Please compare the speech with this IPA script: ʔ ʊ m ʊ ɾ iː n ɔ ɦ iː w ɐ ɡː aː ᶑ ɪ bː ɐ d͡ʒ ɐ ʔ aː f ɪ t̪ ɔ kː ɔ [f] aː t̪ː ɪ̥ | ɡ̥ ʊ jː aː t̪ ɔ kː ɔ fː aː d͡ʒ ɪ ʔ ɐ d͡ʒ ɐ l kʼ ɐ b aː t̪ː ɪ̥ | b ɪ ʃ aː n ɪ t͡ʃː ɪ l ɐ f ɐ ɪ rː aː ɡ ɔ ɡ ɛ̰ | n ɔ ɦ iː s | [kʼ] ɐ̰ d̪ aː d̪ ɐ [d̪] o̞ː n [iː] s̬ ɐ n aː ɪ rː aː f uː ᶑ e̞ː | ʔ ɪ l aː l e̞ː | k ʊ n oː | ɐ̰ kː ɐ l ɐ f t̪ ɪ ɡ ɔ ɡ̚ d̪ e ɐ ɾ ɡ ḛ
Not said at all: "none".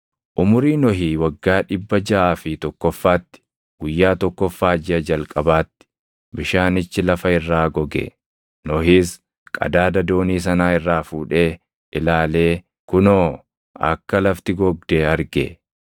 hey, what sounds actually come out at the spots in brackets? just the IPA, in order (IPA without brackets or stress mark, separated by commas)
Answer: fː, kʼ, d̪, iː